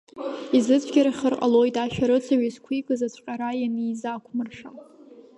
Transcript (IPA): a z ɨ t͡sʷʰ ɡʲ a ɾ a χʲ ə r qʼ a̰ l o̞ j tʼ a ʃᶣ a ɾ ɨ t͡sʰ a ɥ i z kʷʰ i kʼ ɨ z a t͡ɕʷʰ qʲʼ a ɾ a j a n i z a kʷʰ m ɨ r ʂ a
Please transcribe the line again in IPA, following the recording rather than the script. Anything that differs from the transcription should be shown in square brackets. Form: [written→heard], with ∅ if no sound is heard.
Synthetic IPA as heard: [a→i] z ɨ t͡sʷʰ ɡʲ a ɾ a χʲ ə r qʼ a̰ l o̞ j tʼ a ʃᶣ a ɾ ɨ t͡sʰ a ɥ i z kʷʰ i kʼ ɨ z a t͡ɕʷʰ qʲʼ a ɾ a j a n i z a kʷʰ m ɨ r ʂ a